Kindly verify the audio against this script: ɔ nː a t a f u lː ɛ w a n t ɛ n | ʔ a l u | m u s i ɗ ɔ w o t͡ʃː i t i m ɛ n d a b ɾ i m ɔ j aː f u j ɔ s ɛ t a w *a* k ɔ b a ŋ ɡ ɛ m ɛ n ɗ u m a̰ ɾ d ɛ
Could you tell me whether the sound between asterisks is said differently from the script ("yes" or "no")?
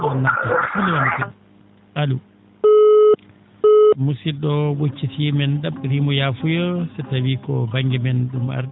yes